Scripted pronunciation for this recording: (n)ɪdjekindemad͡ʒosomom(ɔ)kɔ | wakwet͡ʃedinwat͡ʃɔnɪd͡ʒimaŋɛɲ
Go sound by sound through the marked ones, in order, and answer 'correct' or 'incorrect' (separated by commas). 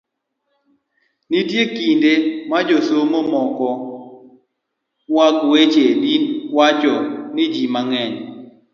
correct, correct